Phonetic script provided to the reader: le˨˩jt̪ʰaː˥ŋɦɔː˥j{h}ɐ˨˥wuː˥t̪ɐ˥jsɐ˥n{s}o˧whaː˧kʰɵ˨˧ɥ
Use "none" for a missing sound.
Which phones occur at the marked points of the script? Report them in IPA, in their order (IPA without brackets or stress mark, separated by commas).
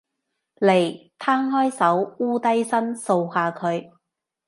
s, s